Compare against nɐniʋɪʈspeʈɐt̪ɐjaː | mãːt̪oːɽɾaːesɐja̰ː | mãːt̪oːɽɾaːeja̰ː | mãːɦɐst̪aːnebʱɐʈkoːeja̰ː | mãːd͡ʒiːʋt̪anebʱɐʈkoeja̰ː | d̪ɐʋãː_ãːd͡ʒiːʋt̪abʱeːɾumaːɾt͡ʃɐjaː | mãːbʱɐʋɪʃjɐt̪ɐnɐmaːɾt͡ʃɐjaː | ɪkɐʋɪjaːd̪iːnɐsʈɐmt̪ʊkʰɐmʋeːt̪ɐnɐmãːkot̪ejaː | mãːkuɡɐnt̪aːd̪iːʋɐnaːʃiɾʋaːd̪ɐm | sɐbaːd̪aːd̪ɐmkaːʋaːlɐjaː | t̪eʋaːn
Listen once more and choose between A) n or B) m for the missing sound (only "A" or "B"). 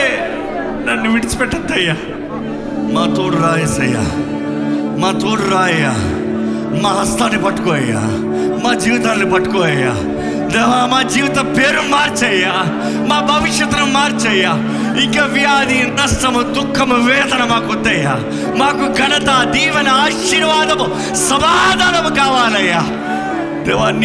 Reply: B